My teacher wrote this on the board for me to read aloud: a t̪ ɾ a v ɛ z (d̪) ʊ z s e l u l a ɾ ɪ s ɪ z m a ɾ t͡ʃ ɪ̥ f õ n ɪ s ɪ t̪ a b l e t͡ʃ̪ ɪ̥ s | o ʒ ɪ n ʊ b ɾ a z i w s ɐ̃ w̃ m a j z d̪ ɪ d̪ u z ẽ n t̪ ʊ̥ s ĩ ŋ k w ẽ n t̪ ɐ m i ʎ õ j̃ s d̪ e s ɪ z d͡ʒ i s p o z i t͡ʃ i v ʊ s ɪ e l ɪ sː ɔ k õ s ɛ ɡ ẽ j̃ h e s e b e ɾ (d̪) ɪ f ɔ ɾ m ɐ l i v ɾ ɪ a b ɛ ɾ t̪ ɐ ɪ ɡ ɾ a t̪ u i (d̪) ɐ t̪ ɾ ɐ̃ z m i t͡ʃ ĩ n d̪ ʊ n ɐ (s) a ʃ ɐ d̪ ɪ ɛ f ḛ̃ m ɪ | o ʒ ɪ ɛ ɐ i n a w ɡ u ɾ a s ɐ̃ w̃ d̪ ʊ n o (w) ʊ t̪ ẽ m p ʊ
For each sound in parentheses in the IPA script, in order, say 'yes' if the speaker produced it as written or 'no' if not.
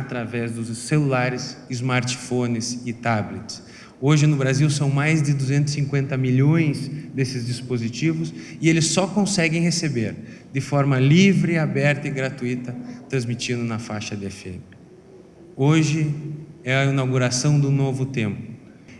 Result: yes, yes, no, no, no

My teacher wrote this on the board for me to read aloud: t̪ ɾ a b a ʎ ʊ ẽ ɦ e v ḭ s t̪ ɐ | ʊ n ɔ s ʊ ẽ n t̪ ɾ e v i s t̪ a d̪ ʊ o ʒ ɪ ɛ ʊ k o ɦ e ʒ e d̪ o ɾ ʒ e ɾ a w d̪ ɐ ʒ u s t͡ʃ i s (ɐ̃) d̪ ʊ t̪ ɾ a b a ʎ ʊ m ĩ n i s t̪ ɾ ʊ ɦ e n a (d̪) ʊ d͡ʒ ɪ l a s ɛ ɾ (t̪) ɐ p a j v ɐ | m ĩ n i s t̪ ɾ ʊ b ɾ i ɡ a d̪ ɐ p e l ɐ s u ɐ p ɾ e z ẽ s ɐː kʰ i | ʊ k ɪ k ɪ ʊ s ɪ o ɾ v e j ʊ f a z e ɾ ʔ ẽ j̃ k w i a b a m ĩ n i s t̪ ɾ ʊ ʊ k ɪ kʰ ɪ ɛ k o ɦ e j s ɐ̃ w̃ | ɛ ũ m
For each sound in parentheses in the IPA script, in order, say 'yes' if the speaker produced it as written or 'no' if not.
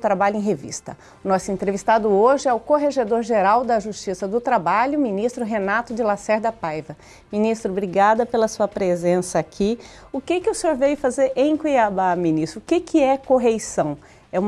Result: no, no, no

